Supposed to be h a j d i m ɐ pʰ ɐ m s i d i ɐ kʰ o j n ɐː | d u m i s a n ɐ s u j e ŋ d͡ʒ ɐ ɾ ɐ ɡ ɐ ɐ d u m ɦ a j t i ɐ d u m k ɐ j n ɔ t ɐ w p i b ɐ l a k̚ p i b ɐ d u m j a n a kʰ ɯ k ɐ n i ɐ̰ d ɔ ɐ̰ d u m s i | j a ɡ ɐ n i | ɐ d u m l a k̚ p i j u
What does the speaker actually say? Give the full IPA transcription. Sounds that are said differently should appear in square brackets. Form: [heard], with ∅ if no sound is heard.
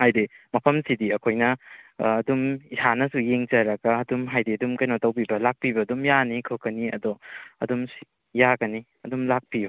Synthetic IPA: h a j d i m ɐ pʰ ɐ m s i d i ɐ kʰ o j n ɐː | d u m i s a n ɐ s u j e ŋ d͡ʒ ɐ ɾ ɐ ɡ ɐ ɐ d u m ɦ a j [d] i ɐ d u m k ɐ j n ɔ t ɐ w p i b ɐ l a k̚ p i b ɐ d u m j a n [i] kʰ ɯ k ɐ n i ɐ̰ d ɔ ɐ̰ d u m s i | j a ɡ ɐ n i | ɐ d u m l a k̚ p i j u